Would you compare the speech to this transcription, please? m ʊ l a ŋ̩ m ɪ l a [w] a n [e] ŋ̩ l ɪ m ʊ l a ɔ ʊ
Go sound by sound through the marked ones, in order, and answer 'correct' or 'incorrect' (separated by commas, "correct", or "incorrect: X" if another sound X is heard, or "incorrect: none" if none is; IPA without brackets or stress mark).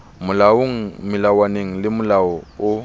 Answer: correct, correct